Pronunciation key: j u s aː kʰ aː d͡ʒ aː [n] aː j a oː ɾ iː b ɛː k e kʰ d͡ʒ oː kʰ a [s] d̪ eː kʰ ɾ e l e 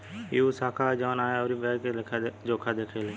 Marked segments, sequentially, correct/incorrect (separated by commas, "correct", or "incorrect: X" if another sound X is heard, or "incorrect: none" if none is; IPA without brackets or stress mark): correct, incorrect: none